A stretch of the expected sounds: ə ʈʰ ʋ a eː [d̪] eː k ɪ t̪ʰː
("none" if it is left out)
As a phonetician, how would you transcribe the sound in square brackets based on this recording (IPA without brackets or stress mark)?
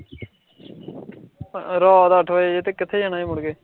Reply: t̪